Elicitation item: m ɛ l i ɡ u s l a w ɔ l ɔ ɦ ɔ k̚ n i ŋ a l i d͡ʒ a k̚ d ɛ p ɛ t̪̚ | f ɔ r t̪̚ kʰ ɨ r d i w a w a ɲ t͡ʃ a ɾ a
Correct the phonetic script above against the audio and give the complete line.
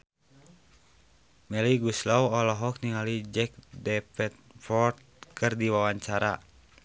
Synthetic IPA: m ɛ l i ɡ u s l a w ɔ l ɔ ɦ ɔ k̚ n i ŋ a l i d͡ʒ ɛ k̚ d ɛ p ɛ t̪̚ | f ɔ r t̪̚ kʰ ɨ r d i w a w a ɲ t͡ʃ a ɾ a